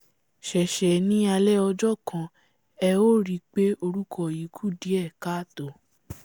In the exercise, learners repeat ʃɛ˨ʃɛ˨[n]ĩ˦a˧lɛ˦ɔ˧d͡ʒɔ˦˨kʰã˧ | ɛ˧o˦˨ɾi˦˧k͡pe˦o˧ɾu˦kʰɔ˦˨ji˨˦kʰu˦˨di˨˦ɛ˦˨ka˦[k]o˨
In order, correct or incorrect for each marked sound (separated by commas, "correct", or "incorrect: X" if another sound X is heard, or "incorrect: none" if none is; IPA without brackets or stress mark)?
correct, incorrect: t